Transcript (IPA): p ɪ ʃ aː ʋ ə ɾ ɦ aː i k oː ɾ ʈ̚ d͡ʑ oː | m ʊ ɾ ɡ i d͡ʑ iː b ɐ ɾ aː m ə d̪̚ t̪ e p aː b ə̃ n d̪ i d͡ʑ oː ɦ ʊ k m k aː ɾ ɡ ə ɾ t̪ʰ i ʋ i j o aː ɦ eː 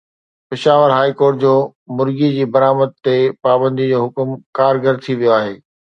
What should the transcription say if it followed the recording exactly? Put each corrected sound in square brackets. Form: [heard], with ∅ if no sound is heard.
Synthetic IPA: p ɪ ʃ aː ʋ ə ɾ ɦ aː i k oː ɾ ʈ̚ d͡ʑ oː | m ʊ ɾ ɡ i d͡ʑ iː b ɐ ɾ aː m ə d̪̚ t̪ e p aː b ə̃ n d̪ i d͡ʑ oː ɦ ʊ k m k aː ɾ ɡ ə ɾ t̪ʰ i ʋ i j o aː ɦ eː